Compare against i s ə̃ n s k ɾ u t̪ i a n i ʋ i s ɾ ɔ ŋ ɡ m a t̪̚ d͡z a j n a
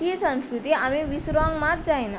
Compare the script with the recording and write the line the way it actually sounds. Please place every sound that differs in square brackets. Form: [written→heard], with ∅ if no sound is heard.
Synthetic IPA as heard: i s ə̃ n s k ɾ u t̪ i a [n→m] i ʋ i s ɾ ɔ ŋ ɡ m a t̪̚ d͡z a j n a